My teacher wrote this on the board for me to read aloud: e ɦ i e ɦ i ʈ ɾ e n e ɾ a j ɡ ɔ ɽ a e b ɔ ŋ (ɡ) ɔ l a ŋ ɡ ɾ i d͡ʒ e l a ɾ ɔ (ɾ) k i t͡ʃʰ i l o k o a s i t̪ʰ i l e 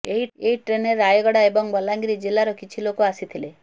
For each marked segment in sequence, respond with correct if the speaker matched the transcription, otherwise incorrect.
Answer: incorrect: b, incorrect: none

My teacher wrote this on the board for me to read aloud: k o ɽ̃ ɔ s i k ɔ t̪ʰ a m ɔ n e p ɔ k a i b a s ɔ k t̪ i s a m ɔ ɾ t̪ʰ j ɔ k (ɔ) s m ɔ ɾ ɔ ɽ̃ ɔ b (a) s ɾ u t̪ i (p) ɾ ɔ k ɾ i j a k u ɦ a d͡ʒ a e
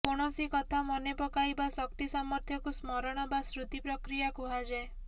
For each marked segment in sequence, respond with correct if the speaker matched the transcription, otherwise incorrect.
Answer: incorrect: u, correct, correct

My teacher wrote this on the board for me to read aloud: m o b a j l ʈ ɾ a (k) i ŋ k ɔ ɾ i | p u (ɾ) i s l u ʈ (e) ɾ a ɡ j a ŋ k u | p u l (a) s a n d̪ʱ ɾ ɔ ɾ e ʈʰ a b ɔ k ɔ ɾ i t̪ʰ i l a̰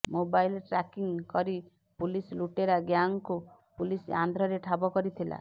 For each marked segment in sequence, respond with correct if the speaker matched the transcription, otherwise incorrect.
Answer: correct, incorrect: l, correct, incorrect: i

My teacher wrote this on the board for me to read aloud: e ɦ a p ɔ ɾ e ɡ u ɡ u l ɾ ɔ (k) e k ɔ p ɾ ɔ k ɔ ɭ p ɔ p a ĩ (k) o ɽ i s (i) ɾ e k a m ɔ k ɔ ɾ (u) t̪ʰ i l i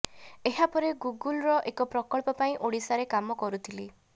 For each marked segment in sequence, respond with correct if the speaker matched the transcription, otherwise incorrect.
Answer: incorrect: ʔ, incorrect: ʔ, incorrect: a, correct

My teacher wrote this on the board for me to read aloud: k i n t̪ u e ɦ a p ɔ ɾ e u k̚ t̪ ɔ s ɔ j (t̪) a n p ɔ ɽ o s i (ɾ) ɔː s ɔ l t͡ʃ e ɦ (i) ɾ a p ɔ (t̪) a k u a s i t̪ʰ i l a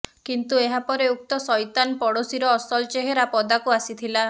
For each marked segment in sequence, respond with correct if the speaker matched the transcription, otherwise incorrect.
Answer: correct, correct, incorrect: e, incorrect: d̪

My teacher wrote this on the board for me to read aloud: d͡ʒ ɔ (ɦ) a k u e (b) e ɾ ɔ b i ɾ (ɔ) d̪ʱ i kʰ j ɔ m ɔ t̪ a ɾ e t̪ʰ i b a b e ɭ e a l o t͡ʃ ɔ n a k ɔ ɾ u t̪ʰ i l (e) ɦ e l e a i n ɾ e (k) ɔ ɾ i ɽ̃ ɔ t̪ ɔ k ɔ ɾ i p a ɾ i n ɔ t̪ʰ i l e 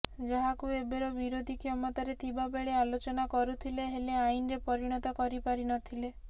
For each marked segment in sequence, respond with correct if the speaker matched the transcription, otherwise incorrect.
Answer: correct, correct, incorrect: o, correct, incorrect: p

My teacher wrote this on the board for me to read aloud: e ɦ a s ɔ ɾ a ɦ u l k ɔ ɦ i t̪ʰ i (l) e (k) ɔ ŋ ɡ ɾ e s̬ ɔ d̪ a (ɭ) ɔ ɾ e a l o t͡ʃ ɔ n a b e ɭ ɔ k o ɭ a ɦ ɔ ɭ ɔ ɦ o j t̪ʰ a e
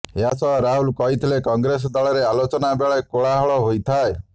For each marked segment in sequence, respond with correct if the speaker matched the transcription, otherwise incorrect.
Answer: correct, correct, correct

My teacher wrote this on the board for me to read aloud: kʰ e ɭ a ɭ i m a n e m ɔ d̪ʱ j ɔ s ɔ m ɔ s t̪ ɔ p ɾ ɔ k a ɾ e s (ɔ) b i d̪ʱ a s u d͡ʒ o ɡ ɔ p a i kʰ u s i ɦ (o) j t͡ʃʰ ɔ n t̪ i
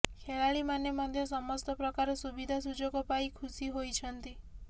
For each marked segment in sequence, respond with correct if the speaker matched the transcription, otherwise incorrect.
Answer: incorrect: u, correct

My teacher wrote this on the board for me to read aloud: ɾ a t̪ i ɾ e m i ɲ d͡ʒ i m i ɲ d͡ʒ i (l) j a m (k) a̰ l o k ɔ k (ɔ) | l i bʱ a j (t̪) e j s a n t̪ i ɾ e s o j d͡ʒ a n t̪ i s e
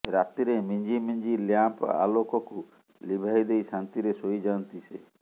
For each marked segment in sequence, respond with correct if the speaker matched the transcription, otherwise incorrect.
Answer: correct, incorrect: p, incorrect: u, incorrect: d̪

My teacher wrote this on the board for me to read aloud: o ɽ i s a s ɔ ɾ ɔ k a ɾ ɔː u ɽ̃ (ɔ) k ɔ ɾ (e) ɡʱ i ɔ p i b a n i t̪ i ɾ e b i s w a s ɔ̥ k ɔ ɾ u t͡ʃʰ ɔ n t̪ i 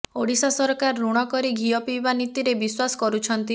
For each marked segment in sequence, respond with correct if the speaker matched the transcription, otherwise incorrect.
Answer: correct, incorrect: i

